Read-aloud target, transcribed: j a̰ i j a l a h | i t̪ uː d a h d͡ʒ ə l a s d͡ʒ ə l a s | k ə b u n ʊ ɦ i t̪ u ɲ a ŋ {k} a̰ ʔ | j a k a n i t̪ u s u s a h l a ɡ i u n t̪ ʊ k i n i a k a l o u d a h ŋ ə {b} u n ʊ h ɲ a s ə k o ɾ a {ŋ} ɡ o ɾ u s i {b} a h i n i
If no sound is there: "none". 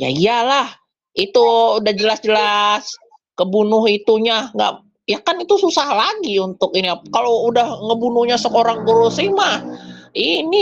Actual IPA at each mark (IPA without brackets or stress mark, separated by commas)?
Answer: ɡ, b, ŋ, m